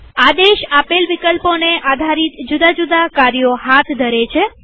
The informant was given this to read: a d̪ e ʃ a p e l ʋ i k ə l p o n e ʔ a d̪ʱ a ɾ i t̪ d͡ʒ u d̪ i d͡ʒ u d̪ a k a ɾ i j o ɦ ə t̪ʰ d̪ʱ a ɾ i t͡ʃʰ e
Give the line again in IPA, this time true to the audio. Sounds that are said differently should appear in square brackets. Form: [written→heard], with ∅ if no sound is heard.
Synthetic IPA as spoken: a d̪ e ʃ a p e l ʋ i k ə l p o n e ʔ a d̪ʱ a ɾ i t̪ d͡ʒ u d̪ [i→a] d͡ʒ u d̪ a k a ɾ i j o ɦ [ə→a] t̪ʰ d̪ʱ [a→ə] ɾ [i→e] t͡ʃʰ e